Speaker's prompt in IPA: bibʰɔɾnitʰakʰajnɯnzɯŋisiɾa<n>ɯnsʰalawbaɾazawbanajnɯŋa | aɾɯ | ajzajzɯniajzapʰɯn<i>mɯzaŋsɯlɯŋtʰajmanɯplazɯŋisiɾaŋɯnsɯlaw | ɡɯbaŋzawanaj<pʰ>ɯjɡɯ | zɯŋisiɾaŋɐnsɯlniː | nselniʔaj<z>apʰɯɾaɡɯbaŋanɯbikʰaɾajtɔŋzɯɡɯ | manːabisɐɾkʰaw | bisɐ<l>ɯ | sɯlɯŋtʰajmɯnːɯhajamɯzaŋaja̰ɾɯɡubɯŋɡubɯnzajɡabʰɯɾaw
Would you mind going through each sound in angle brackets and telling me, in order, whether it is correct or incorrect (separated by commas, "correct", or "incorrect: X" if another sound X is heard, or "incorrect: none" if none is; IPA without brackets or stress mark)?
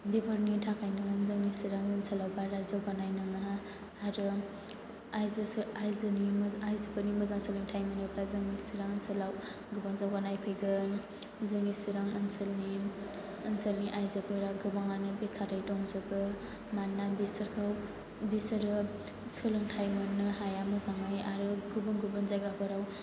incorrect: ŋ, correct, correct, correct, incorrect: ɾ